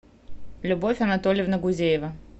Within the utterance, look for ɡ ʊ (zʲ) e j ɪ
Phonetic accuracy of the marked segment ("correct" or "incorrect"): correct